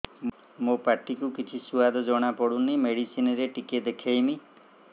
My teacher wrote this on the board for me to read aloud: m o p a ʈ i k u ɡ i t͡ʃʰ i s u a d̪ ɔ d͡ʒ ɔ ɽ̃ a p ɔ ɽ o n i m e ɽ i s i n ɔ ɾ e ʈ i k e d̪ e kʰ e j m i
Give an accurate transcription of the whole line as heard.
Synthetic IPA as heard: m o p a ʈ i k u k i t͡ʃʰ i s u a d̪ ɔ d͡ʒ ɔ ɽ̃ a p ɔ ɽ u n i m e ɽ i s i n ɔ ɾ e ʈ i k e d̪ e kʰ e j m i